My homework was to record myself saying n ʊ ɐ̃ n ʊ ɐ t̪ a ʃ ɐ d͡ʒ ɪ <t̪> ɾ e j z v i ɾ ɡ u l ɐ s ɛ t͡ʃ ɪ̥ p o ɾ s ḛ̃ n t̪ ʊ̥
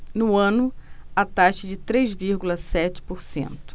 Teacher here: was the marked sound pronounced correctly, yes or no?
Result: yes